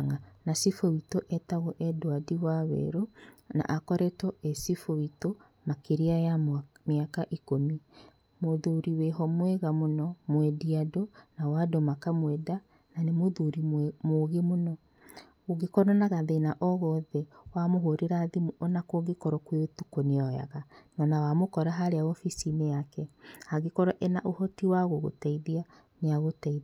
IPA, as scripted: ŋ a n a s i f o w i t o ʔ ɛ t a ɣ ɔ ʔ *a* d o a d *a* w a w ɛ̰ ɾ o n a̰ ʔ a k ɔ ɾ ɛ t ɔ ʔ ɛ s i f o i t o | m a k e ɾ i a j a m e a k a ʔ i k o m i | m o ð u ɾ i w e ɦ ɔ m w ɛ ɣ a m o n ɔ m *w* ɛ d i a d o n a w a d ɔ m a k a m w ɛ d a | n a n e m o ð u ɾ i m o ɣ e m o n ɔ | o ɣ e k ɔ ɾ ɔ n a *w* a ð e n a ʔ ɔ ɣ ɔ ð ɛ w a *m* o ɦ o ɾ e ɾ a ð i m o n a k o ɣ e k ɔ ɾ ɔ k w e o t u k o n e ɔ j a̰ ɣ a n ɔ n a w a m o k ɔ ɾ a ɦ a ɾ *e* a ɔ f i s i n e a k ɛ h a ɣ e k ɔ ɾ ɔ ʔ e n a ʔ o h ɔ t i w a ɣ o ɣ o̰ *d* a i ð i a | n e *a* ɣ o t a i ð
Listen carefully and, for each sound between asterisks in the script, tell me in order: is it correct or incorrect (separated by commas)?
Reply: incorrect, incorrect, correct, incorrect, correct, correct, incorrect, correct